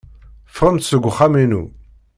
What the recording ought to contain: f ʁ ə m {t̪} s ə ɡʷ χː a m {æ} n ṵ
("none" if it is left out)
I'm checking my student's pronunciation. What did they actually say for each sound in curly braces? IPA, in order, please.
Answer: t̪, i

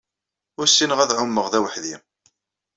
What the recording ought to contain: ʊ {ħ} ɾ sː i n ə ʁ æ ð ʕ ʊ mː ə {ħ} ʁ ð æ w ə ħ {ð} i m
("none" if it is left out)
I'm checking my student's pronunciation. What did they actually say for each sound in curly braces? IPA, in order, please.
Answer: none, none, ð

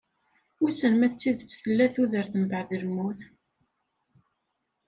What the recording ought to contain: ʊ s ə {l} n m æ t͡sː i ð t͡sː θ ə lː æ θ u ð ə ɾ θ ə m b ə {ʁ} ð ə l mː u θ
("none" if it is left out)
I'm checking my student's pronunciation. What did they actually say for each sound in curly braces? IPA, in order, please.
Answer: none, ʕ

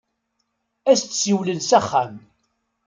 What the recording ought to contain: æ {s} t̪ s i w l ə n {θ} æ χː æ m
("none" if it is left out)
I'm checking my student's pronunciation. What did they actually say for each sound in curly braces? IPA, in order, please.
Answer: s, s

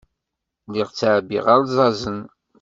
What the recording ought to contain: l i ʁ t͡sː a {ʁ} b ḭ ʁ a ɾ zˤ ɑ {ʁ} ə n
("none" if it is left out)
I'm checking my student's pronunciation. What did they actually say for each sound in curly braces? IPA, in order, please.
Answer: ʕ, z

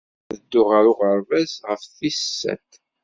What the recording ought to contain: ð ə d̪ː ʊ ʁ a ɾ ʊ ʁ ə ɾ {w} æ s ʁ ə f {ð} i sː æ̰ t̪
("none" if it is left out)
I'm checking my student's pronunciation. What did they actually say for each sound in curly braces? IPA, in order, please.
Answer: v, θ

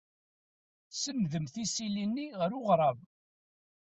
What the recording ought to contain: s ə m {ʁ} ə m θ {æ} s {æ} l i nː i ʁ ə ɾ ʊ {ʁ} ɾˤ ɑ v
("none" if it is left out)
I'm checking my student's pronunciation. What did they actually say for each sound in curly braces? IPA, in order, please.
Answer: ð, i, i, ʁ

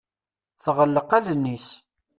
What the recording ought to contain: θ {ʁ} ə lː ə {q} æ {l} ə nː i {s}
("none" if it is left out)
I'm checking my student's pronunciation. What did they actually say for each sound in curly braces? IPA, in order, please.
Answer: ʁ, q, l, s

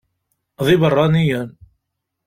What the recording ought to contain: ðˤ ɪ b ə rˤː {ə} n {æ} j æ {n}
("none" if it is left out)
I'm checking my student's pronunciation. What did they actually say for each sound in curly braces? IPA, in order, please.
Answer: ɑ, i, n

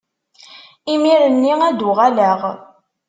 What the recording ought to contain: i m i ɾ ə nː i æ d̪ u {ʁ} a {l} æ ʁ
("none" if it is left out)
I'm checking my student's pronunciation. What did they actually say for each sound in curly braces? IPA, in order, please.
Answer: ʁ, l

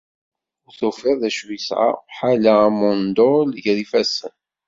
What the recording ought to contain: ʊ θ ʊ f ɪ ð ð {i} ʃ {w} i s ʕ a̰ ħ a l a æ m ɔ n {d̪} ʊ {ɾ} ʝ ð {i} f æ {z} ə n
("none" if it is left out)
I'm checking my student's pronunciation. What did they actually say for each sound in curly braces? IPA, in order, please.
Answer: æ, w, d̪, l, i, s

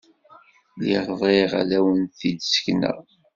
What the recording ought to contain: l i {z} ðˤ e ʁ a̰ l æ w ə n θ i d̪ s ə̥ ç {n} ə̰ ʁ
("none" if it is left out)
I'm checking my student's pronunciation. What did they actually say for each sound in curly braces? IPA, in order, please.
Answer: ʁ, n

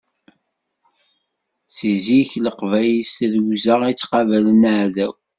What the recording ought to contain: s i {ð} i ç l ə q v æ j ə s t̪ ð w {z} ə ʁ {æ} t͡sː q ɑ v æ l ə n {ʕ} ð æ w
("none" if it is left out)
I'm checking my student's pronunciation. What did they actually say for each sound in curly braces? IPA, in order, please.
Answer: z, z, i, ʕ

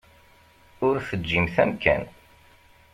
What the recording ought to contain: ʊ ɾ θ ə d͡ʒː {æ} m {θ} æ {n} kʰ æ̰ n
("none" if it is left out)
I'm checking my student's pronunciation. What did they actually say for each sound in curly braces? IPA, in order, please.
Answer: i, θ, m

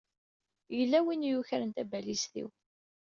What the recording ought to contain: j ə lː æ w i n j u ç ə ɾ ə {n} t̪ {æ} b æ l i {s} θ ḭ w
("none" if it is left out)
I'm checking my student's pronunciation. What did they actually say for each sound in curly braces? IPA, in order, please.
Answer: n, æ, s

